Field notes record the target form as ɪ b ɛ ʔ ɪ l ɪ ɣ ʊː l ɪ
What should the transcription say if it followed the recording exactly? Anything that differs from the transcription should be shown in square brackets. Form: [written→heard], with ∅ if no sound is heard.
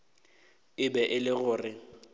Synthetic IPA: ɪ b ɛ ʔ ɪ l ɪ ɣ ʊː [l→r] ɪ